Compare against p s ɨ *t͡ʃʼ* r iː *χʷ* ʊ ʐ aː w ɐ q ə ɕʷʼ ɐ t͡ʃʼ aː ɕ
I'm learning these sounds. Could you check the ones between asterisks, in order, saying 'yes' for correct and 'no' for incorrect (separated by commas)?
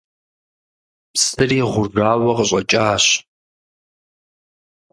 no, no